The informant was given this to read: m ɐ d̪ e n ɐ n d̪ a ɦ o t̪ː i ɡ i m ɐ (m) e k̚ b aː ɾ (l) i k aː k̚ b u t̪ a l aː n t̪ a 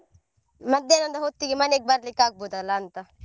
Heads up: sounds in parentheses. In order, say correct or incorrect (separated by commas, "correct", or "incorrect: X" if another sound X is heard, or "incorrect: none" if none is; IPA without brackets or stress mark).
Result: incorrect: n, correct